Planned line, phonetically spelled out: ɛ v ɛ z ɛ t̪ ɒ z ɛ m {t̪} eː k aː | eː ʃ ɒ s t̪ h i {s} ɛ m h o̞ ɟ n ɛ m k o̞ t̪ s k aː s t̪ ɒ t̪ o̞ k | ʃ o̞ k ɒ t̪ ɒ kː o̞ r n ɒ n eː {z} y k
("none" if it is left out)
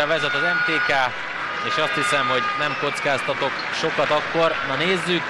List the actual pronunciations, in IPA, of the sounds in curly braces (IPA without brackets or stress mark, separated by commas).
t̪, s, zː